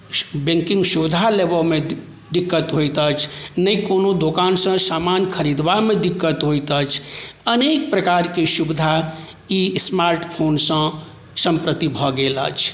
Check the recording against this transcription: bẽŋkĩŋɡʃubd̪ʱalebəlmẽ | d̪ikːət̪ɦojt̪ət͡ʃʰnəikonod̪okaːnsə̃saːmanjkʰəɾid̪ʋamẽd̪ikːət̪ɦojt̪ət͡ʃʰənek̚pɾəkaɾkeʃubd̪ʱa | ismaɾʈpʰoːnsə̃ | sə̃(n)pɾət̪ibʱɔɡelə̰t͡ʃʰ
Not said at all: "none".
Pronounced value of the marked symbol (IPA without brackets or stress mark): m